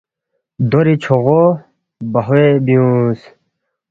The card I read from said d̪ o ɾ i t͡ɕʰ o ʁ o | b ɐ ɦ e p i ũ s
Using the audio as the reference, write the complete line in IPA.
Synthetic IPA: d̪ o ɾ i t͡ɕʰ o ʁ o | b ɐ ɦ e b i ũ s